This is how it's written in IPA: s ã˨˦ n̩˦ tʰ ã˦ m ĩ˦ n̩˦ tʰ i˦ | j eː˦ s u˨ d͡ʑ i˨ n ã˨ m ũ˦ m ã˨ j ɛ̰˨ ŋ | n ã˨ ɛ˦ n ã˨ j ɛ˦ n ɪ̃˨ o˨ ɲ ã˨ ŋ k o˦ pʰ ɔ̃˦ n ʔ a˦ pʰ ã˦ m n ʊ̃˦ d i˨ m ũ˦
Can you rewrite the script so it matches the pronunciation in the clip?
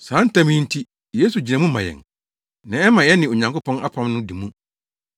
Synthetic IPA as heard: s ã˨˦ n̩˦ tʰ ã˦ m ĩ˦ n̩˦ tʰ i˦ | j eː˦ s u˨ d͡ʑ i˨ n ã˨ m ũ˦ m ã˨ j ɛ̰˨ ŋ | n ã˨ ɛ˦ m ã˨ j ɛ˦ n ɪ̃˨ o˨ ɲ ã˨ ŋ k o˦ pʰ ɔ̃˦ n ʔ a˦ pʰ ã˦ m n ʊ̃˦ d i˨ m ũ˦